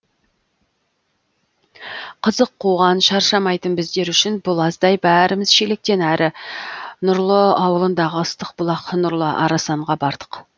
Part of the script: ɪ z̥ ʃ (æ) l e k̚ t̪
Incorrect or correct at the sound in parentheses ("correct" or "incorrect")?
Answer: incorrect